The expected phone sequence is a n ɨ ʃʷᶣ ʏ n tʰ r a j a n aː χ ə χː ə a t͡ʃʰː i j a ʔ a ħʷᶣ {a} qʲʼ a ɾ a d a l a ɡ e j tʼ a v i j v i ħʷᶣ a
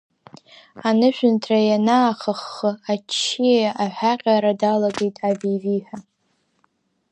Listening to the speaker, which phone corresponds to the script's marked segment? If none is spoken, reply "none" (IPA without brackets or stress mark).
a